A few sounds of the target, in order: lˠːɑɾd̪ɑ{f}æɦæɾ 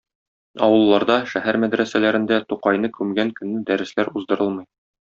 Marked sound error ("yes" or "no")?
yes